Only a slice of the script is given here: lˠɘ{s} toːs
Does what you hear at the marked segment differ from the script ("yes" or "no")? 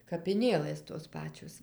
no